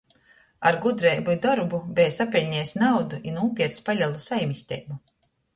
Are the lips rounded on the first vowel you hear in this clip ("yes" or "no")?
no